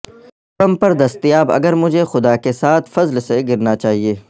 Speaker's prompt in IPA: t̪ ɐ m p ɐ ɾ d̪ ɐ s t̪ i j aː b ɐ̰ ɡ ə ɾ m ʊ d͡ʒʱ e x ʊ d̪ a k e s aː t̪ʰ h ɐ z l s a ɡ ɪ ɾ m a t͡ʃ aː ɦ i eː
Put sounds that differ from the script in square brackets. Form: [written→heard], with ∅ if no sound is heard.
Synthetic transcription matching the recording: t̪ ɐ m p ɐ ɾ d̪ ɐ s t̪ i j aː b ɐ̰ ɡ ə ɾ m ʊ d͡ʒʱ e x ʊ d̪ a k e s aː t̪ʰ [h→f] ɐ z l s [a→e] ɡ ɪ ɾ [m→n] a t͡ʃ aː ɦ i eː